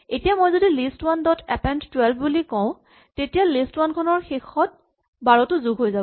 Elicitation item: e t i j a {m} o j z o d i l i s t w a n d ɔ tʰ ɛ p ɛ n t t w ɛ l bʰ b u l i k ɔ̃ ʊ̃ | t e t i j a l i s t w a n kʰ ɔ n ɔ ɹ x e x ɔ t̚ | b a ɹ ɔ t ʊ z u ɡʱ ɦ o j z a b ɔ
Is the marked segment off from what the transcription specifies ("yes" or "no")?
no